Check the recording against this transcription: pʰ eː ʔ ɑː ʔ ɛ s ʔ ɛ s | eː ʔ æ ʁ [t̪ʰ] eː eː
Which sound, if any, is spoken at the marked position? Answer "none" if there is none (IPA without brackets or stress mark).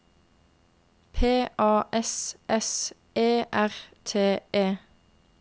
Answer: t̪ʰ